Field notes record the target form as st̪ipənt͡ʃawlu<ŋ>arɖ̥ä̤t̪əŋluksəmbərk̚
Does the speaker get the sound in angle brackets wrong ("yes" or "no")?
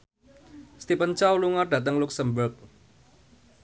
no